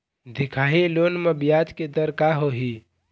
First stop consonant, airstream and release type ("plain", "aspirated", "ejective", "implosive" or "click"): plain